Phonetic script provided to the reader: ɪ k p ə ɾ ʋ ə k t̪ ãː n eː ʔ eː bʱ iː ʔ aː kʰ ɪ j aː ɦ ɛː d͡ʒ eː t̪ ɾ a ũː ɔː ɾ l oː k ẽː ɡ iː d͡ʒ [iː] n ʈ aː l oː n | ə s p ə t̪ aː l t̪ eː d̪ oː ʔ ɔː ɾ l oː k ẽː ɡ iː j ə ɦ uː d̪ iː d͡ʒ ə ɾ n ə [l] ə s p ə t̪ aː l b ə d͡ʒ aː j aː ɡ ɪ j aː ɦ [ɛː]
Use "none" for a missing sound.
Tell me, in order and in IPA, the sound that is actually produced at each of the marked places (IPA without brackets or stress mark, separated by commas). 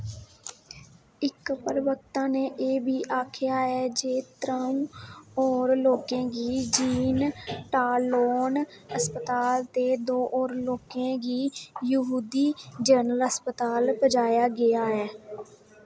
iː, l, ɛː